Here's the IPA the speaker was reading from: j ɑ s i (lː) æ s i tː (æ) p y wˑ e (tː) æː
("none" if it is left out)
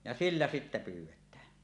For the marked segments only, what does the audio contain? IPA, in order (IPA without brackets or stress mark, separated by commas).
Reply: lː, æ, tː